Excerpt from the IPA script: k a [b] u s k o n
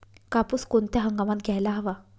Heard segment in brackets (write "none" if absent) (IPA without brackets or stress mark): p